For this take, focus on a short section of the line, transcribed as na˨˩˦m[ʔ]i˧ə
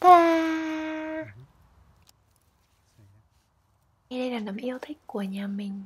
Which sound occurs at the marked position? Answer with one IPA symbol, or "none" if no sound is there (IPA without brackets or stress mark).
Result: ʔ